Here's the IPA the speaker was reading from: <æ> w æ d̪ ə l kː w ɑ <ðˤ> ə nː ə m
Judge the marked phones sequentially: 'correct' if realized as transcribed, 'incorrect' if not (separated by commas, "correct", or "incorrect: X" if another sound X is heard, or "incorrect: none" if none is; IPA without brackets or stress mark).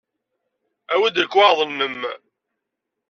correct, correct